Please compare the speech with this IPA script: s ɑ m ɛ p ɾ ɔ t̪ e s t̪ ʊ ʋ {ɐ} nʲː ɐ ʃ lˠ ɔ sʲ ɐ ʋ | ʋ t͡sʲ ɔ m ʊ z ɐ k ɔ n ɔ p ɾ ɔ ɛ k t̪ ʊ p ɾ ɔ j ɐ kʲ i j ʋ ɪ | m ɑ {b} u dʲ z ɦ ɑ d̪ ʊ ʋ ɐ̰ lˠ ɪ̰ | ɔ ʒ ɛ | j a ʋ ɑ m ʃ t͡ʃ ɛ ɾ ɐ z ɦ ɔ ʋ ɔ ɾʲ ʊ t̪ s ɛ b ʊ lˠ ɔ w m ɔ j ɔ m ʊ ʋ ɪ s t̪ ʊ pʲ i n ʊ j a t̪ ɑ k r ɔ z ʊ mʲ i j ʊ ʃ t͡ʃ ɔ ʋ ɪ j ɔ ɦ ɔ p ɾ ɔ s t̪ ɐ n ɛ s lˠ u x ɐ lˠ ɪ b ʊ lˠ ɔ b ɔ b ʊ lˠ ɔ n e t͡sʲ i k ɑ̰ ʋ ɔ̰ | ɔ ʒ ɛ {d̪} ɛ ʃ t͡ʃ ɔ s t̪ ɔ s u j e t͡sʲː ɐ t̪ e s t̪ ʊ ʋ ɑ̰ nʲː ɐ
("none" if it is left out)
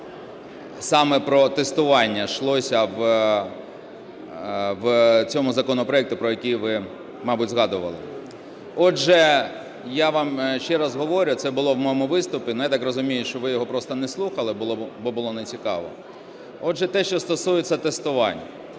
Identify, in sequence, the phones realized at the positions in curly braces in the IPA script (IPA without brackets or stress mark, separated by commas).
ɑ, b, t̪